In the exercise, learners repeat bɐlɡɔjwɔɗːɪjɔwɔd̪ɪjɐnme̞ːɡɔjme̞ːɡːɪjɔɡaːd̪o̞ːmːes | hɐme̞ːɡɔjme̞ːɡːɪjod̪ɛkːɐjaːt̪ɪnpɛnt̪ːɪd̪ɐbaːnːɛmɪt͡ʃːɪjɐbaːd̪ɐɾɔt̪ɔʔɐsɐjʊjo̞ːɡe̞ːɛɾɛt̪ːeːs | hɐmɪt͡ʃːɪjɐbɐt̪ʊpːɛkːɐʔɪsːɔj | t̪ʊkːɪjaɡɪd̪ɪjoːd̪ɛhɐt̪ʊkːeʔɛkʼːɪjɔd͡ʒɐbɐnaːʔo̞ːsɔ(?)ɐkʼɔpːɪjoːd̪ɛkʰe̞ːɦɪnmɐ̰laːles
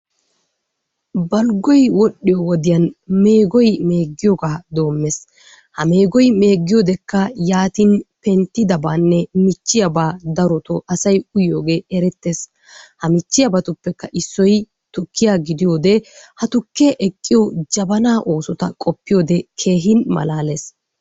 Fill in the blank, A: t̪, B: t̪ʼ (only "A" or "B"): A